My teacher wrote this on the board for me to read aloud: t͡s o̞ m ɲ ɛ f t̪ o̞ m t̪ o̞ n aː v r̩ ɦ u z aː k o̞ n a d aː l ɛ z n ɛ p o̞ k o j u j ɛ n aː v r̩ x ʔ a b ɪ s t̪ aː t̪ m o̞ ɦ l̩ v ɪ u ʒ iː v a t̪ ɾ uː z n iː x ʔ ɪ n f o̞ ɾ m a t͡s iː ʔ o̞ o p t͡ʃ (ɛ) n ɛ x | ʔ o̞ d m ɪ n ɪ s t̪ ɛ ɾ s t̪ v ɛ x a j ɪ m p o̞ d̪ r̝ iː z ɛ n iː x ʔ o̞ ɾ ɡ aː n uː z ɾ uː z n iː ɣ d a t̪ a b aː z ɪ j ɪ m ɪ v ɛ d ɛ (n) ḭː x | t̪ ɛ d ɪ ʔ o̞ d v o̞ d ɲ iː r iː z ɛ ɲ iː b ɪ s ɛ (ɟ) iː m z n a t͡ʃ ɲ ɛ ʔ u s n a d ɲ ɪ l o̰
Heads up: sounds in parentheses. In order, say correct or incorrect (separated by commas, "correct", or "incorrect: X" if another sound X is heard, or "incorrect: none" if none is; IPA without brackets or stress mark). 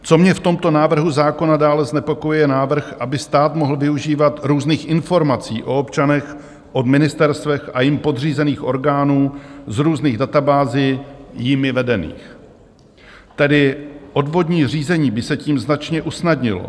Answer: incorrect: a, correct, incorrect: c